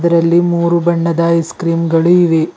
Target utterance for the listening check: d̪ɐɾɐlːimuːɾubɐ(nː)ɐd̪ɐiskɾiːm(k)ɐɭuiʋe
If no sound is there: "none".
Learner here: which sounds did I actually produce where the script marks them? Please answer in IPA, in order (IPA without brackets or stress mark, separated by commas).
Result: ɳː, ɡ